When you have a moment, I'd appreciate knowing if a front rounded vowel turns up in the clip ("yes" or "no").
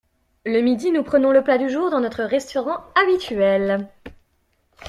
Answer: yes